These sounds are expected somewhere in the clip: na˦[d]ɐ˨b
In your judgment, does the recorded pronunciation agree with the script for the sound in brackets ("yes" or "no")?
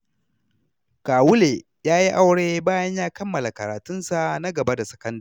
no